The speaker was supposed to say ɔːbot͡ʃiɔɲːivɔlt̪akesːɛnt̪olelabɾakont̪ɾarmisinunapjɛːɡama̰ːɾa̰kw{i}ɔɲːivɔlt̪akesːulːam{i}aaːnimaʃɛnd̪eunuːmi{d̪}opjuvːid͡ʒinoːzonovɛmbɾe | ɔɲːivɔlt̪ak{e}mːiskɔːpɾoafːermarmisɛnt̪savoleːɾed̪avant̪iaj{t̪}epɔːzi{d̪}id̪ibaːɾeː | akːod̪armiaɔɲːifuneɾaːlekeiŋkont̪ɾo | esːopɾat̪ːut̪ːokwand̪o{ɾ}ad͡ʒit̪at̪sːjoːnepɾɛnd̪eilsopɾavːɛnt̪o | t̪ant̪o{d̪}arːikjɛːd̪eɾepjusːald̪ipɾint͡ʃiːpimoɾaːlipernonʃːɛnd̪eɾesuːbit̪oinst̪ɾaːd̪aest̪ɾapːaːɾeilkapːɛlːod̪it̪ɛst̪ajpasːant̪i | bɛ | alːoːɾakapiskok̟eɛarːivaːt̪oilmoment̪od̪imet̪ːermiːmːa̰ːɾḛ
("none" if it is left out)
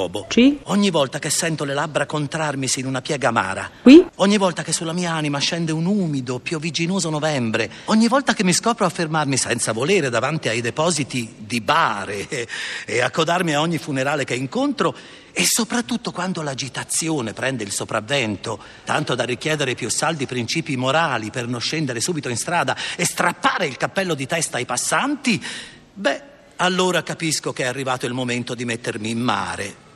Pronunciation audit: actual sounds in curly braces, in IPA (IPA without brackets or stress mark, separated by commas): i, iː, d̪, e, d̪, t̪, l, d̪